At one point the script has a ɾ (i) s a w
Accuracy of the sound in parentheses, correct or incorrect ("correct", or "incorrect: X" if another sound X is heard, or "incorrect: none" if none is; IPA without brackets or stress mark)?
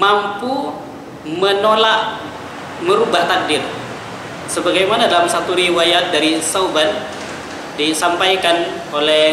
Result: correct